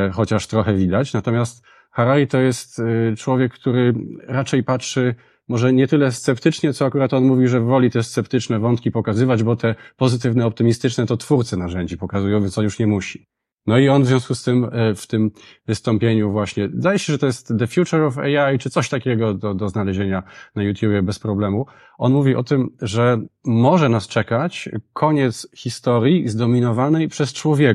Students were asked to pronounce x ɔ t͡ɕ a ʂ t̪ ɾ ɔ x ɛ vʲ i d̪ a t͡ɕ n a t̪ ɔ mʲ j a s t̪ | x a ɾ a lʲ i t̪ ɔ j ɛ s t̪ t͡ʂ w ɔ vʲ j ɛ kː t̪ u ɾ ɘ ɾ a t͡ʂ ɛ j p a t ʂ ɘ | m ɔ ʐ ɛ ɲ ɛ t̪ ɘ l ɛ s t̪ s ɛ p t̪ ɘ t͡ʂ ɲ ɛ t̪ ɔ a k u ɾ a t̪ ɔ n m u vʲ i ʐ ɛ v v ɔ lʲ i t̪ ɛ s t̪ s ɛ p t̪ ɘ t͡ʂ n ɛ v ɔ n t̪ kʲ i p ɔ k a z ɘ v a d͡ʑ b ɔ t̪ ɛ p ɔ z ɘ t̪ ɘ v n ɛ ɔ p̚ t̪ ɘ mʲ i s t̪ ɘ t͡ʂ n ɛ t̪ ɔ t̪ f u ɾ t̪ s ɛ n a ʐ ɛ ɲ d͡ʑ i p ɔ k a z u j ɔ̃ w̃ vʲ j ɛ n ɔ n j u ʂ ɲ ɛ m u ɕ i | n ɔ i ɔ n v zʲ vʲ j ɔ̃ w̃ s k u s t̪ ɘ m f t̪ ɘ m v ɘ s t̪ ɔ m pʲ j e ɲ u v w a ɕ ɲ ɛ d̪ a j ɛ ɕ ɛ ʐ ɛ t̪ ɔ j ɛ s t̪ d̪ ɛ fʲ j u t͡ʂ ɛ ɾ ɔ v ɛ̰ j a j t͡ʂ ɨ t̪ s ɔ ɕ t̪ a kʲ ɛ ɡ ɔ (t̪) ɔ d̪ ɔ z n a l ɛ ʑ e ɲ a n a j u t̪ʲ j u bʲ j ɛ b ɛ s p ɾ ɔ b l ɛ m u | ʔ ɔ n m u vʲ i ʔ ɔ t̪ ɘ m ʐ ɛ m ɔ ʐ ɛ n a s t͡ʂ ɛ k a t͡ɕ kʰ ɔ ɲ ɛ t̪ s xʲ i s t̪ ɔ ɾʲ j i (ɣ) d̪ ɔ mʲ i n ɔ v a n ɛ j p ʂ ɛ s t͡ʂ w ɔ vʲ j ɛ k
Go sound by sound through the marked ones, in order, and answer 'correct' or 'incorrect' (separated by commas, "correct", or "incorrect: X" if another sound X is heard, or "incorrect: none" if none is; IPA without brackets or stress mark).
incorrect: d̪, incorrect: z